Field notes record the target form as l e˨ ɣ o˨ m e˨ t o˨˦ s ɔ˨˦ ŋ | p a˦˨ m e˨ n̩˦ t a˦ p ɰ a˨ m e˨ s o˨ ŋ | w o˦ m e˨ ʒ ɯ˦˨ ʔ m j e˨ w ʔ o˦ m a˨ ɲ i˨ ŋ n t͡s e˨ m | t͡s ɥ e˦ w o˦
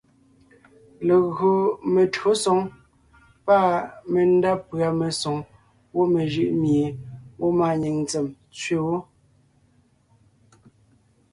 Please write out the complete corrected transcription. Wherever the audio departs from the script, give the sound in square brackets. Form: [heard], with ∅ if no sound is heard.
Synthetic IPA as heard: l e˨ ɣ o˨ m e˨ t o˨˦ s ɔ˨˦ ŋ | p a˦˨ m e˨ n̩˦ [d] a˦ p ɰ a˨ m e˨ s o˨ ŋ | w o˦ m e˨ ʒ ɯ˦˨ ʔ m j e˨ w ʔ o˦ m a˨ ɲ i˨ ŋ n t͡s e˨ m | t͡s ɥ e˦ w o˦